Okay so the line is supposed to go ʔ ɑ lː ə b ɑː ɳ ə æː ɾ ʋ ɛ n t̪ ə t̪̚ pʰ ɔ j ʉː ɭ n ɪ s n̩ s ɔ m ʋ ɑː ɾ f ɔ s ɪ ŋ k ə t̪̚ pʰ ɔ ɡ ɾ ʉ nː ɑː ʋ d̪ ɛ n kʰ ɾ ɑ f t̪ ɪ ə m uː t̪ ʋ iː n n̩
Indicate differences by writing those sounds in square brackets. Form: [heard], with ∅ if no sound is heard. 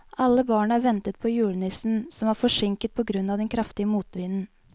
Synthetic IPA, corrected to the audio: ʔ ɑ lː ə b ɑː ɳ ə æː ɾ ʋ ɛ n t̪ ə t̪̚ pʰ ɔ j ʉː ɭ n ɪ s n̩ s ɔ m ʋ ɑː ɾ f ɔ [ʂ] ɪ ŋ k ə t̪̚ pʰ ɔ ɡ ɾ ʉ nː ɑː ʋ d̪ ɛ n kʰ ɾ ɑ f t̪ ɪ ə m uː t̪ ʋ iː n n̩